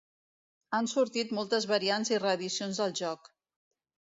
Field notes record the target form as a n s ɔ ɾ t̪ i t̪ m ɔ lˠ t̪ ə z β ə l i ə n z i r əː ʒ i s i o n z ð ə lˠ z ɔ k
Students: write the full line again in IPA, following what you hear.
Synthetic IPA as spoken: a n s u ɾ t̪ i t̪ m ɔ lˠ t̪ ə z β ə ɾ i a n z i r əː ð i s i o n z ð ə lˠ ʒ ɔ k